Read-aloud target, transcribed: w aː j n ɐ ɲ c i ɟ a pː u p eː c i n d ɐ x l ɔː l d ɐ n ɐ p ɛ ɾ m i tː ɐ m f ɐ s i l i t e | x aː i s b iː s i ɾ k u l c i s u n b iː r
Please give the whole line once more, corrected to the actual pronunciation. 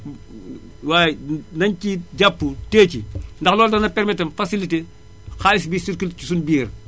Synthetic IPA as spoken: w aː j n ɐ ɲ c i ɟ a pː u t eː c i n d ɐ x l ɔː l d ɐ n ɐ p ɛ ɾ m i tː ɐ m f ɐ s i l i t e | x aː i s b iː s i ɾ k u l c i s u n b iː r

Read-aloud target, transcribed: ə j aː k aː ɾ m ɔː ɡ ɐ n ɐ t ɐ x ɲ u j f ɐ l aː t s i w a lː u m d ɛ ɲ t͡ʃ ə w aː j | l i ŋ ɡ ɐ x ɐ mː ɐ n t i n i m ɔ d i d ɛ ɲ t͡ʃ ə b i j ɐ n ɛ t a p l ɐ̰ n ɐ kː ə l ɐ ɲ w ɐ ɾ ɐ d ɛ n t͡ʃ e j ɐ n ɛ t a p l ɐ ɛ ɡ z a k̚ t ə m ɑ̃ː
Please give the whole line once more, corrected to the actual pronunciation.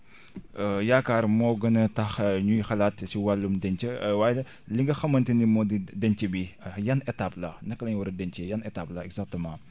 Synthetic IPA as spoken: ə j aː k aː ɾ m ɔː ɡ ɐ n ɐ t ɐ x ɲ u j x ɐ l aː t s i w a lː u m d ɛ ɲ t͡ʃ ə w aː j | l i ŋ ɡ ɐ x ɐ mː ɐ n t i n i m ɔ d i d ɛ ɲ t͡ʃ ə b i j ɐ n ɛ t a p l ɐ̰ n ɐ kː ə l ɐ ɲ w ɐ ɾ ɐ d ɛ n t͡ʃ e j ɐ n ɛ t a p l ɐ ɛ ɡ z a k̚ t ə m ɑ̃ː

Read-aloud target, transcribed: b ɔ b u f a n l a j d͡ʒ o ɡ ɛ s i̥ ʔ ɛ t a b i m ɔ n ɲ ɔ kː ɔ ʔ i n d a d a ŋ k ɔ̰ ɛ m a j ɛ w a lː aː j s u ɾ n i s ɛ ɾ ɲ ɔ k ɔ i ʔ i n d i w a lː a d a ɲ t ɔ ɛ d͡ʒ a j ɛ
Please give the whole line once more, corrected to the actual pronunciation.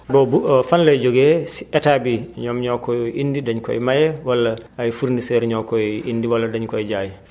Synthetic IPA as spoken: b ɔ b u f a n l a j d͡ʒ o ɡ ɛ s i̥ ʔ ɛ t a b i ɲ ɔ m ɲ ɔ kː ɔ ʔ i n d i d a ɲ k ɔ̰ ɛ m a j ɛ w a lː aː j f u ɾ n i s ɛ ɾ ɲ ɔ k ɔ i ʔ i n d i w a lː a d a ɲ k ɔ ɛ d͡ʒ a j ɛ

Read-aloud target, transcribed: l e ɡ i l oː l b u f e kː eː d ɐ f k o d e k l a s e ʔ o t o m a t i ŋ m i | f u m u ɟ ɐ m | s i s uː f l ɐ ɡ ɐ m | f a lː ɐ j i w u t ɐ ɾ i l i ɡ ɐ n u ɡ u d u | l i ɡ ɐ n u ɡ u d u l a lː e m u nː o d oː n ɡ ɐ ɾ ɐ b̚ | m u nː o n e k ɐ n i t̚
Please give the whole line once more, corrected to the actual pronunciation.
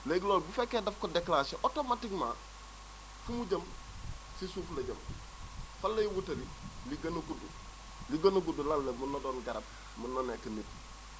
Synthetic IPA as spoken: l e ɡ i l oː l b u f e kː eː d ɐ f k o d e k l a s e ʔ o t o m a t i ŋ m a | f u m u ɟ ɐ m | s i s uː f l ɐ ɟ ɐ m | f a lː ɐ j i w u t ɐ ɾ i l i ɡ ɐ n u ɡ u d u | l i ɡ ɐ n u ɡ u d u l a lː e m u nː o d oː n ɡ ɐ ɾ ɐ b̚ | m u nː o n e k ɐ n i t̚

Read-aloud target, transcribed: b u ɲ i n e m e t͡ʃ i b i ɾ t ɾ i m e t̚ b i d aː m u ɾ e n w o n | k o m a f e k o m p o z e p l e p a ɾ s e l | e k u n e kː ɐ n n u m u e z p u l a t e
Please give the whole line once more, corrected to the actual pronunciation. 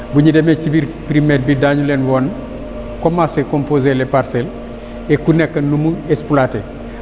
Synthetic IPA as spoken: b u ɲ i d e m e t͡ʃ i b i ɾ p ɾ i m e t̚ b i d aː ɲ u l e n w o n | k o m a s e k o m p o z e l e p a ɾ s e l | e k u n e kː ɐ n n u m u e s p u l a t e

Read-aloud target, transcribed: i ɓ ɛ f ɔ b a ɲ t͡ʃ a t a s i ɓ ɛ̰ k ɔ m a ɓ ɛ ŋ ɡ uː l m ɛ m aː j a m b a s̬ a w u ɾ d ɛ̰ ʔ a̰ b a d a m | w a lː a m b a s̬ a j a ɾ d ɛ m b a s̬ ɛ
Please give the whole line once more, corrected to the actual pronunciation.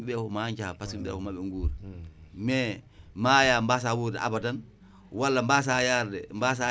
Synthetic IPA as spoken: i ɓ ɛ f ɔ m a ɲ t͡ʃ a p a s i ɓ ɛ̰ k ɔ m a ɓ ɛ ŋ ɡ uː ɾ m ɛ m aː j a m b a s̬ a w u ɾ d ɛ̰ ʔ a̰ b a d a n | w a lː a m b a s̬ a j a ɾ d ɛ m b a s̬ a

